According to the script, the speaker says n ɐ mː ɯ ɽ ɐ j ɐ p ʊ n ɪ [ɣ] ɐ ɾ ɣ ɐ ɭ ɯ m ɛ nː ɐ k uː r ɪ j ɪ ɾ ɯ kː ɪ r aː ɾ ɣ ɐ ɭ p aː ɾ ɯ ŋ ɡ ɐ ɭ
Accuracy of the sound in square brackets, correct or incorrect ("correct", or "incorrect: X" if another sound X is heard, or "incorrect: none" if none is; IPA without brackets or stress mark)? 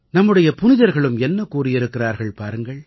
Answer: incorrect: ð